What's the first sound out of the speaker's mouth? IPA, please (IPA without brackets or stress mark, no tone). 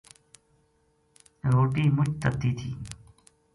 ɾ